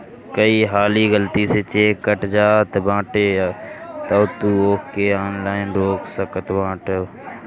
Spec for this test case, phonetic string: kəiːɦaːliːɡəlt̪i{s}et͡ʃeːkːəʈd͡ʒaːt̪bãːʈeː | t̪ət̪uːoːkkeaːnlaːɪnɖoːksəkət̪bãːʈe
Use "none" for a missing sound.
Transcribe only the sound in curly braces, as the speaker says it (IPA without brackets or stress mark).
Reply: s